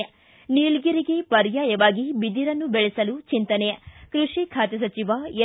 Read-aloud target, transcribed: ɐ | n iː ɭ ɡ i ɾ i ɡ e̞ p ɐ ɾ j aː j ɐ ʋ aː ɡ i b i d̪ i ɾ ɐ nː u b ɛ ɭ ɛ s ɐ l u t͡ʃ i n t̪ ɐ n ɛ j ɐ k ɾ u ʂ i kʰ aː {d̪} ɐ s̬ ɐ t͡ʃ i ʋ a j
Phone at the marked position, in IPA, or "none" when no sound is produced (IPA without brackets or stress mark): t̪